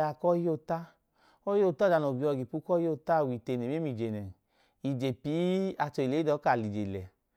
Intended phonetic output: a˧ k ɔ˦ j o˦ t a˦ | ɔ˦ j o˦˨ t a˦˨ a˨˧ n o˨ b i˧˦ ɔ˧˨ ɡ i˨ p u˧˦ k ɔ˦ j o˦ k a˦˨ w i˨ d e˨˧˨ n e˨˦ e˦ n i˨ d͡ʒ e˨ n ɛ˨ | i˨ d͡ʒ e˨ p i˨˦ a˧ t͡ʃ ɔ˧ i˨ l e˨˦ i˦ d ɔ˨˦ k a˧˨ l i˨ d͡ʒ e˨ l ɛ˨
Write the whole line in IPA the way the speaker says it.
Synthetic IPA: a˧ k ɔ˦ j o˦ t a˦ | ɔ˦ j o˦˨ t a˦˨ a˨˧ n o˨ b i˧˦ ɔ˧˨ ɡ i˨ p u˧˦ k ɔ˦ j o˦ t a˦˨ w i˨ t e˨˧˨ n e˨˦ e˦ m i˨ d͡ʒ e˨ n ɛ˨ | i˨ d͡ʒ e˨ p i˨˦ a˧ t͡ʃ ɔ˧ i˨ l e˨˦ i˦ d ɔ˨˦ k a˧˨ l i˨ d͡ʒ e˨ l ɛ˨

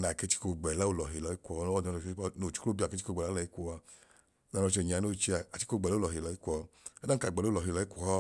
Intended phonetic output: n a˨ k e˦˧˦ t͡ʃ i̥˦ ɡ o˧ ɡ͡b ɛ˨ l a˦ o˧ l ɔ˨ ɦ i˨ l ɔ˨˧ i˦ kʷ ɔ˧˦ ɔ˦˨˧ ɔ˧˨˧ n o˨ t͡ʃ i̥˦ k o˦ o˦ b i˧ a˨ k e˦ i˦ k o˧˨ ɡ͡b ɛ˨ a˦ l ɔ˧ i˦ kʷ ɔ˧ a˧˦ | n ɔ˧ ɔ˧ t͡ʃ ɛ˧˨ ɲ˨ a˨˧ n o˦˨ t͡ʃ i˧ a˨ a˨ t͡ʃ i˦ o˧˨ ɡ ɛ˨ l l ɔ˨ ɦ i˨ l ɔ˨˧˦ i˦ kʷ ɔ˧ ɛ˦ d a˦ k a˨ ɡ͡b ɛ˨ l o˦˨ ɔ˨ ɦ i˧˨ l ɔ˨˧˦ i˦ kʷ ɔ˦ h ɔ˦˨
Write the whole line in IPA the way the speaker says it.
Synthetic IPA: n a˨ k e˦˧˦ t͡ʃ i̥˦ k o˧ ɡ͡b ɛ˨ l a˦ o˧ l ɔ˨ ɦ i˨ l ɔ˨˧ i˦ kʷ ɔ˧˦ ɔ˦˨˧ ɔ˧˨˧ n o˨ t͡ʃ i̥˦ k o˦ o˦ b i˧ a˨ k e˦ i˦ k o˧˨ ɡ͡b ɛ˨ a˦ l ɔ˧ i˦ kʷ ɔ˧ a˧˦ | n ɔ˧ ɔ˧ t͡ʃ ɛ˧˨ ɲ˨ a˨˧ n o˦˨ t͡ʃ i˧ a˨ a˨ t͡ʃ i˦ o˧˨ ɡ͡b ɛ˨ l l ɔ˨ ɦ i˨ l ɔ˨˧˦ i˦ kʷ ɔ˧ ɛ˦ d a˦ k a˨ ɡ͡b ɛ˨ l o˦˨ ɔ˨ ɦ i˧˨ l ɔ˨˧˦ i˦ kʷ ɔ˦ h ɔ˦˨

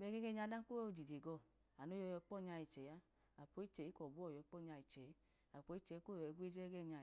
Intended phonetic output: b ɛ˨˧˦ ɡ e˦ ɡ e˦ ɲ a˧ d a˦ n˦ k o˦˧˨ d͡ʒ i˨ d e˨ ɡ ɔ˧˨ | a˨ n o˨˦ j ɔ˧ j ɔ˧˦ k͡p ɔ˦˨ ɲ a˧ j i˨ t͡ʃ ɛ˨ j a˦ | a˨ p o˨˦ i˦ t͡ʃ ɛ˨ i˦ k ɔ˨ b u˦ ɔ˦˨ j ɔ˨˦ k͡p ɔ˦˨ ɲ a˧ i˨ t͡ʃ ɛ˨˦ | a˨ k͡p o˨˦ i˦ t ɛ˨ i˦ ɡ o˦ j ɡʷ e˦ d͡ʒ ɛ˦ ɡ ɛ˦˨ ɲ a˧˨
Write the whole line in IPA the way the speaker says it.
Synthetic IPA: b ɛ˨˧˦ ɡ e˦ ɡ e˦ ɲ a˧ d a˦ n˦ k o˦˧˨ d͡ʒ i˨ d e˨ ɡ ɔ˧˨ | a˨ n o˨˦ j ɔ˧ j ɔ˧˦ k͡p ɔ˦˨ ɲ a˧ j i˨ t͡ʃ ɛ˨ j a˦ | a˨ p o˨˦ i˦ t͡ʃ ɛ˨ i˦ k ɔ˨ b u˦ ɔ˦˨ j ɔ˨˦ k͡p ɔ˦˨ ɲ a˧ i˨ t͡ʃ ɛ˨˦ | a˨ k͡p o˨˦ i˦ t͡ʃ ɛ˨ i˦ k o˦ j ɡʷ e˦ d͡ʒ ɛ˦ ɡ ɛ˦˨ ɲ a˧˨

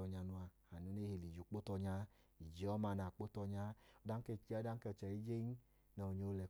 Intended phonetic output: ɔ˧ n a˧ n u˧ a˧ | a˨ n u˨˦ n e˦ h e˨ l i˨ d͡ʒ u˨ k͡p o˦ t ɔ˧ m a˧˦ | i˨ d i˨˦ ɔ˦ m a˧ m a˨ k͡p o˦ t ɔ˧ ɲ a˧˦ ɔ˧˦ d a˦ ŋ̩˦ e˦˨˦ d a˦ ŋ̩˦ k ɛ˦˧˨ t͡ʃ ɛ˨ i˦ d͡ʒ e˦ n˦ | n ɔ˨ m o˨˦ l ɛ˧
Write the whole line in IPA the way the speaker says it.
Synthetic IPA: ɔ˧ ɲ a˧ n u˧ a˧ | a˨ n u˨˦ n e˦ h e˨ l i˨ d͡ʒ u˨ k͡p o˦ t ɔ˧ ɲ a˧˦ | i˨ d͡ʒ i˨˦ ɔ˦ m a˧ n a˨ k͡p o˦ t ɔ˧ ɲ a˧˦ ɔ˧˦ d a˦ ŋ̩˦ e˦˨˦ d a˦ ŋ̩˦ k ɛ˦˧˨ t͡ʃ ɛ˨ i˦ d͡ʒ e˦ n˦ | n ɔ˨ ɲ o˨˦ l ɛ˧

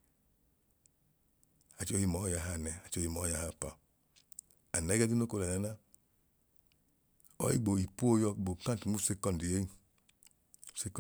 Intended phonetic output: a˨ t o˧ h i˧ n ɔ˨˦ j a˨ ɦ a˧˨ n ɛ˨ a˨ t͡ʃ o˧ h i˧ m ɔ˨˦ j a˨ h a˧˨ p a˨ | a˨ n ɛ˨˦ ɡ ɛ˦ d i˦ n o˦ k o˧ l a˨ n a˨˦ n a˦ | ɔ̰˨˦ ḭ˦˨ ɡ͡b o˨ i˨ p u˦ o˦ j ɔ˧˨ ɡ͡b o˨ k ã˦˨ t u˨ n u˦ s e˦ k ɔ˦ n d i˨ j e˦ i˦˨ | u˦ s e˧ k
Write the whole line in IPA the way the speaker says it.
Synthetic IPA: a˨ t͡ʃ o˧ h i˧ m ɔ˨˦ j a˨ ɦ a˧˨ n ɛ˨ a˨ t͡ʃ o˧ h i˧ m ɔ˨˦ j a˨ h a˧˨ p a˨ | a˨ n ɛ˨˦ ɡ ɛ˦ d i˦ n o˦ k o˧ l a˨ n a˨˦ n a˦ | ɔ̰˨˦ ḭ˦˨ ɡ͡b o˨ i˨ p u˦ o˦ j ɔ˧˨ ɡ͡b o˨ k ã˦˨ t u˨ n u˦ s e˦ k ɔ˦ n d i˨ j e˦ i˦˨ | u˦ s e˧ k

